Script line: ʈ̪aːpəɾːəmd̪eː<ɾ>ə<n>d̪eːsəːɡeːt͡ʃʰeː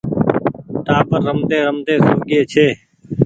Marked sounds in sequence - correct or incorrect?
correct, incorrect: m

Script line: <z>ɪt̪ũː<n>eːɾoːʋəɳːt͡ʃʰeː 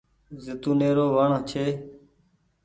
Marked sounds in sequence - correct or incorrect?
correct, correct

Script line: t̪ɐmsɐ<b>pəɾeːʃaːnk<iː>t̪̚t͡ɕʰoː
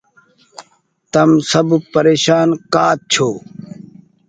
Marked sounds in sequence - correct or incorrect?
correct, incorrect: aː

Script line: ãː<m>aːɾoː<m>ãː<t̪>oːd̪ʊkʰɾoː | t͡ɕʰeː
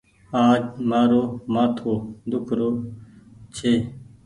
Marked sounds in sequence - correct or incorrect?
correct, correct, incorrect: t̪ʰ

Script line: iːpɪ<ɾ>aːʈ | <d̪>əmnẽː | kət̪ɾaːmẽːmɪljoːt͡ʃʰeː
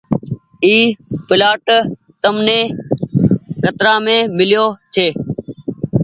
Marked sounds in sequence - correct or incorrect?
incorrect: l, incorrect: t̪

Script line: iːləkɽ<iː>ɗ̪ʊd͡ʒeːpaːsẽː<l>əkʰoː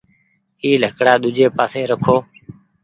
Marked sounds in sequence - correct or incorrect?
incorrect: aː, incorrect: ɾ

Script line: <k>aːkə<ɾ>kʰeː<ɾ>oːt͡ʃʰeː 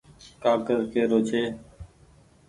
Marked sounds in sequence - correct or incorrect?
correct, correct, correct

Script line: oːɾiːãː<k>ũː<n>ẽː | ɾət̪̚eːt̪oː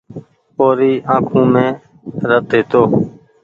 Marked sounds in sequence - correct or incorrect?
incorrect: kʰ, incorrect: m

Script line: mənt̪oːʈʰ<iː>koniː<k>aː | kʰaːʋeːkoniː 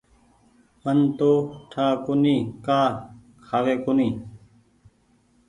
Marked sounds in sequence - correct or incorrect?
incorrect: aː, correct

